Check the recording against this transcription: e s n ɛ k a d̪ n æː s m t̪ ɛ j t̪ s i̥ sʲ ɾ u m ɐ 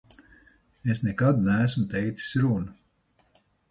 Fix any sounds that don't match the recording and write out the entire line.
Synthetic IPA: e s n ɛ k a d̪ n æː s m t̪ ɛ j t̪ s i̥ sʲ ɾ u n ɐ